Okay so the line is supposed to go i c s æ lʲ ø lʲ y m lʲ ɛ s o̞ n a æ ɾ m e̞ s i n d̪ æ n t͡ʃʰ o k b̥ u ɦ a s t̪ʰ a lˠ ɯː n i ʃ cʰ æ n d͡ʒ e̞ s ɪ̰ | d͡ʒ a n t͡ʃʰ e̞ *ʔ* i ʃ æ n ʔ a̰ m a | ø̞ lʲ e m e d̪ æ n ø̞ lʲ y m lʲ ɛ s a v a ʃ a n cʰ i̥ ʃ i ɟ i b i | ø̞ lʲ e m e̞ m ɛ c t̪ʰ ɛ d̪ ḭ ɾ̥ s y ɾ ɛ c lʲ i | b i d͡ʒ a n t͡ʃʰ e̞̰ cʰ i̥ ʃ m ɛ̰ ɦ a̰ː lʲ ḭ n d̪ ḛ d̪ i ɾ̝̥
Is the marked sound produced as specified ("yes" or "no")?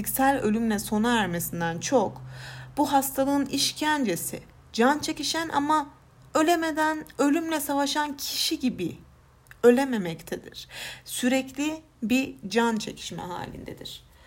no